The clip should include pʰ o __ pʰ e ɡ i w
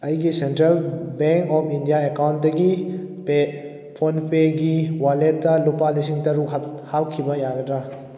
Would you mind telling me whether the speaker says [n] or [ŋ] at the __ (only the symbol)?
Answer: n